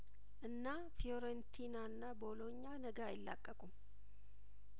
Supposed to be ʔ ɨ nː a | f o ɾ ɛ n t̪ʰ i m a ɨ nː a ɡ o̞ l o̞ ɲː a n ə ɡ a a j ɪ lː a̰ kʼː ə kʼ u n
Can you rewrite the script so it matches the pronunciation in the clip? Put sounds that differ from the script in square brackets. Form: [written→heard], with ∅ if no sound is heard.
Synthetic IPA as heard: ʔ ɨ nː a | f o ɾ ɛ n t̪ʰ i [m→n] a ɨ nː a [ɡ→b] o̞ l o̞ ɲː a n ə ɡ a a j ɪ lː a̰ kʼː ə kʼ u [n→m]